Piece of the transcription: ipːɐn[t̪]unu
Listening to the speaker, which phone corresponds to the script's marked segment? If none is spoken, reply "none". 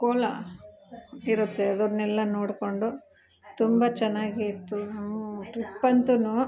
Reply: t̪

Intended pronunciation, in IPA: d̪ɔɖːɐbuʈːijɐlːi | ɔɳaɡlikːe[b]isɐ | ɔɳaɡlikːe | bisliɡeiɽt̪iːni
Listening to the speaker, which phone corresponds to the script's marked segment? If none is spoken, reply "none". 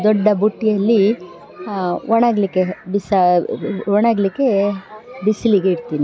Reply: b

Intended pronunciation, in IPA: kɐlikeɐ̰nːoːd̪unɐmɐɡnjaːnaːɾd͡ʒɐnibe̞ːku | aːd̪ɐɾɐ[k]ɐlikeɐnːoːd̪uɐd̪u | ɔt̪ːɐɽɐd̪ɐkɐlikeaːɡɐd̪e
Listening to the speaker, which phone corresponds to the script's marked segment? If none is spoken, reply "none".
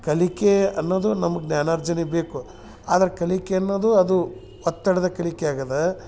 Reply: k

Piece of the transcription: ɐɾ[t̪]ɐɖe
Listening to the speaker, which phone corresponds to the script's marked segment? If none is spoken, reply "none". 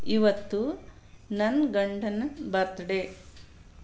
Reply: t̪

